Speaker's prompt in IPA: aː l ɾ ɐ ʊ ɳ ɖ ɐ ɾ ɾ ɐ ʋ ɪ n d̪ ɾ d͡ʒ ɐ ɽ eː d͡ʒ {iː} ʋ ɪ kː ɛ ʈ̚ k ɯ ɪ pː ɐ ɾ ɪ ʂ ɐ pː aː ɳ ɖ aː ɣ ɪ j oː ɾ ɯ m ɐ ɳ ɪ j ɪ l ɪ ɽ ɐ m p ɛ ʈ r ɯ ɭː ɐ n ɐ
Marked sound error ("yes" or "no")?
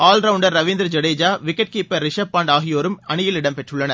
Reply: yes